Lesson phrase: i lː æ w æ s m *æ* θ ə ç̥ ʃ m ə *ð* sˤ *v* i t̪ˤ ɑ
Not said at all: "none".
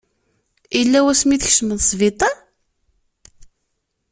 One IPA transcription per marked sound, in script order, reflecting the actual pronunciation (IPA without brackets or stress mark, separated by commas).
i, ð, v